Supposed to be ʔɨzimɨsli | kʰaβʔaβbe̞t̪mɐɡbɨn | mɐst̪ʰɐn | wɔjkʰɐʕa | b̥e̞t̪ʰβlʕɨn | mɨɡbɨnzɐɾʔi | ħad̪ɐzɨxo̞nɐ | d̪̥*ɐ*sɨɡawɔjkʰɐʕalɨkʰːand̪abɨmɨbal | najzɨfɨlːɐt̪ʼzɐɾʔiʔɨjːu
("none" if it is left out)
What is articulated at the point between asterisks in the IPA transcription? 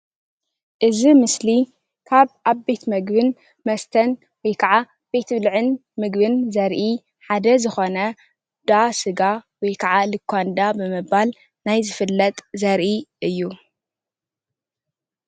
a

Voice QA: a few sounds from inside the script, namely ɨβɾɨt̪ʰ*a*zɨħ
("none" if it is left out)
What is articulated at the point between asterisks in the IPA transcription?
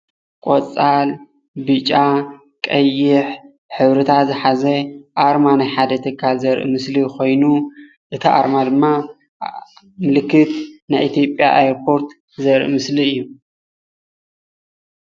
a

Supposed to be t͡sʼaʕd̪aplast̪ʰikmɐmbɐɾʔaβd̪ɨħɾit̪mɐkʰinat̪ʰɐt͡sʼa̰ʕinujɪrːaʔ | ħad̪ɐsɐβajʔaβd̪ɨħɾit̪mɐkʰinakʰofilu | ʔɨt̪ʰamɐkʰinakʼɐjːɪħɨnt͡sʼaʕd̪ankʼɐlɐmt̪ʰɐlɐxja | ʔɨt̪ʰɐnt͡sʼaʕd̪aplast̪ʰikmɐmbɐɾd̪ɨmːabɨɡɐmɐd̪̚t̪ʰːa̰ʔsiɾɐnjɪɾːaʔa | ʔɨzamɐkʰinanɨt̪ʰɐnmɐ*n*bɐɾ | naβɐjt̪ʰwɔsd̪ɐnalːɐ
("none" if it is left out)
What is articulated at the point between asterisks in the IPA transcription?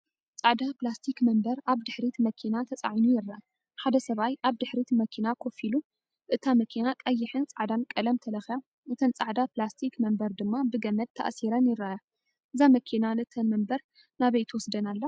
m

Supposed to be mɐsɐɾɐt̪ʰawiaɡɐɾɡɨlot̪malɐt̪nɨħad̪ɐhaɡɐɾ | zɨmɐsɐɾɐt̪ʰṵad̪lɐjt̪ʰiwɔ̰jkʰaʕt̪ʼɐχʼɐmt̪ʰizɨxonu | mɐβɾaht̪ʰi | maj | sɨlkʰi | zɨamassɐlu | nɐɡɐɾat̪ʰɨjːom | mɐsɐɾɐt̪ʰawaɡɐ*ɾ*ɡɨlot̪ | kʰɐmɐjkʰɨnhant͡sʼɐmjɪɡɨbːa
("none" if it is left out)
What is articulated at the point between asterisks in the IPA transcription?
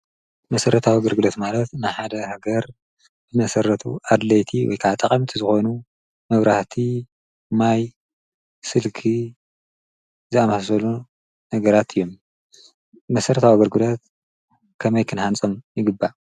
ɾ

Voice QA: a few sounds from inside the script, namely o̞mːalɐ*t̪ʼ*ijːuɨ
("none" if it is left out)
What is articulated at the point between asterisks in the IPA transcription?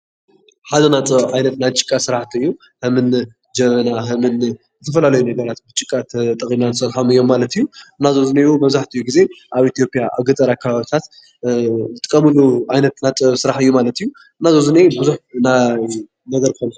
t̪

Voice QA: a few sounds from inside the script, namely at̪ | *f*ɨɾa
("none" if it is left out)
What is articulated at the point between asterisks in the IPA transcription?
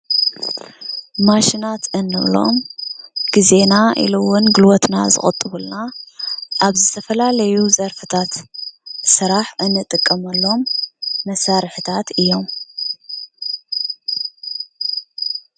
s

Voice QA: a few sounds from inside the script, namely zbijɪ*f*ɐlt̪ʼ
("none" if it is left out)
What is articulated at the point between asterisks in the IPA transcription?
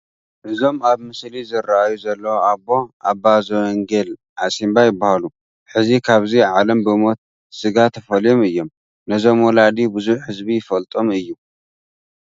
f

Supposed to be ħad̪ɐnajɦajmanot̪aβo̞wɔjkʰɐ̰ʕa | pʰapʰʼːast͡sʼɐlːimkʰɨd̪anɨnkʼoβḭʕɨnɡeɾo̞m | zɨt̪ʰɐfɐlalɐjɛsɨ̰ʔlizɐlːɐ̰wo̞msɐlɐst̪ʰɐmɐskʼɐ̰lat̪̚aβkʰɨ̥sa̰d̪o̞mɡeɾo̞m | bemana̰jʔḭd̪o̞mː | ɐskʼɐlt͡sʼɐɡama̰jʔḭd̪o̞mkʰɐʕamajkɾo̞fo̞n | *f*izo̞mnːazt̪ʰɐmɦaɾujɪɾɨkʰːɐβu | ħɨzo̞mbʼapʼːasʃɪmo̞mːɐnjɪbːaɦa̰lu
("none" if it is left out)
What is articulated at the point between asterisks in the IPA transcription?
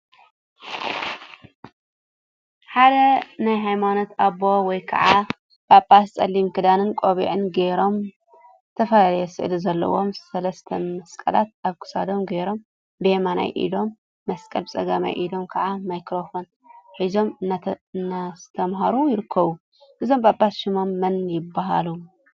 ħ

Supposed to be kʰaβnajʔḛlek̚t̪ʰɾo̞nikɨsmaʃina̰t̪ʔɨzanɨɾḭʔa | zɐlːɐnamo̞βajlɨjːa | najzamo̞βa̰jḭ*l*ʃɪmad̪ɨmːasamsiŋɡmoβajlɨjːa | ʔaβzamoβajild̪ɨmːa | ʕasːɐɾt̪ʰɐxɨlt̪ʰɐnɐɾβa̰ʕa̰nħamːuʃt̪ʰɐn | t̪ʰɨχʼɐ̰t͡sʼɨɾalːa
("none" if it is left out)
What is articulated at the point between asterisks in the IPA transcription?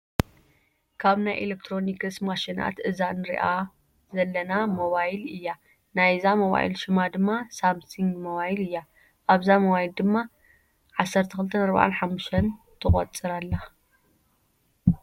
l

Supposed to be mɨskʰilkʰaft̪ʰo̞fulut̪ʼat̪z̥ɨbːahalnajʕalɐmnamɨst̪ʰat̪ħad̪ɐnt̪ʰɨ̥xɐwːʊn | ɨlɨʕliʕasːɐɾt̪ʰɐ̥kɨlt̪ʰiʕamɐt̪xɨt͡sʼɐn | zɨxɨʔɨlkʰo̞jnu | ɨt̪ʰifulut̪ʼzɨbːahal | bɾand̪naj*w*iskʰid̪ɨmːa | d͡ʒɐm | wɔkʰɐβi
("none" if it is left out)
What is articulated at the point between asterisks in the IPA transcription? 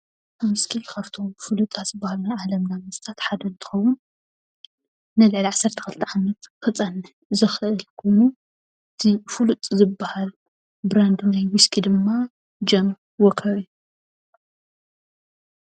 w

